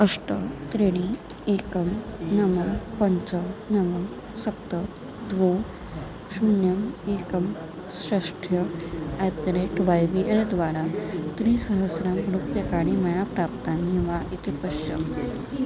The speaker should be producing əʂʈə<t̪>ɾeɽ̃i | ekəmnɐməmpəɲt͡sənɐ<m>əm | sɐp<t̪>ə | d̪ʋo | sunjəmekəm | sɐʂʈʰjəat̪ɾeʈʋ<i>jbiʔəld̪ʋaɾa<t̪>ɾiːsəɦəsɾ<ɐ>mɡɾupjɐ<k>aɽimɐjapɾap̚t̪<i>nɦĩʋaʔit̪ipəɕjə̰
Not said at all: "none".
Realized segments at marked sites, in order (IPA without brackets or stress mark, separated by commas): t̪, m, t̪, a, t̪, a, k, a